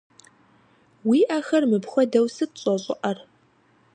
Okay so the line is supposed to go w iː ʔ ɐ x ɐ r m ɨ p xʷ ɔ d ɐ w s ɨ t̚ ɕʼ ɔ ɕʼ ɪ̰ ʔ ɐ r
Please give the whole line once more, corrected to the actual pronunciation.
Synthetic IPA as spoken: w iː ʔ ɐ x ɐ r m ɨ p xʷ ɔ d ɐ w s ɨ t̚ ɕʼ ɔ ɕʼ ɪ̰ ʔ ɐ r